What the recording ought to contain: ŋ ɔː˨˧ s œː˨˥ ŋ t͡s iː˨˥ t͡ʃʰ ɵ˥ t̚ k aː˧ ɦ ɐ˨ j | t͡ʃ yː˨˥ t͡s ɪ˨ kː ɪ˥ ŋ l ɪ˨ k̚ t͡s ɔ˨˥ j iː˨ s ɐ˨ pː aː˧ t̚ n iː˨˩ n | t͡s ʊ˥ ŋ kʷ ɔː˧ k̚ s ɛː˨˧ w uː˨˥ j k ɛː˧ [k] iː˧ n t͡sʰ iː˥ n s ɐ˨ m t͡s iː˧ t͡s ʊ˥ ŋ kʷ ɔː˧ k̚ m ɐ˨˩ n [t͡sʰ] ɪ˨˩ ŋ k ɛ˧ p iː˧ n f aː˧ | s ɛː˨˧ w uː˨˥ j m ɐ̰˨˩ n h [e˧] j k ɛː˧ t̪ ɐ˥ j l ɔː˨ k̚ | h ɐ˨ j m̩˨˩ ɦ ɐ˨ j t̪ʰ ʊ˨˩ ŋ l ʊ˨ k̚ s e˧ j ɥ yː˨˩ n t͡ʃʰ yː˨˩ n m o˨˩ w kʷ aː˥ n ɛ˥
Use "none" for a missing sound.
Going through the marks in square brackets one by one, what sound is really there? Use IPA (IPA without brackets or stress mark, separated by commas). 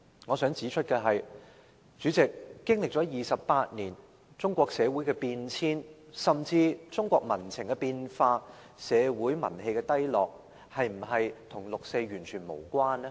p, t͡sʰ, e˧